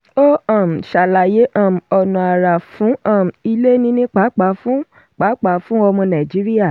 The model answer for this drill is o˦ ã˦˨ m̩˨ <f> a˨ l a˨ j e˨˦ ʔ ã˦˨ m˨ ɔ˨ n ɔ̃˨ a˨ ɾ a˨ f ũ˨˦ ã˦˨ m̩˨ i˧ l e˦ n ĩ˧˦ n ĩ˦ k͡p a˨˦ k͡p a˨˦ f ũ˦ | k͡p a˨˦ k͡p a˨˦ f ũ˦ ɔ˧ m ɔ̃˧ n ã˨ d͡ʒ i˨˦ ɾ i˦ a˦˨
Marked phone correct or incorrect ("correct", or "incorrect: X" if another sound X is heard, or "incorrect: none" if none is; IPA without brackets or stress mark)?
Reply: incorrect: ʃ